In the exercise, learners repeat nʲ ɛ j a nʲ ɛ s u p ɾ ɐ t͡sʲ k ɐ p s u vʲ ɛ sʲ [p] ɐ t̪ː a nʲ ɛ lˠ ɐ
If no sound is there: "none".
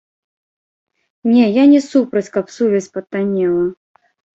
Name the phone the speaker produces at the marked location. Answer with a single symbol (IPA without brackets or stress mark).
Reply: p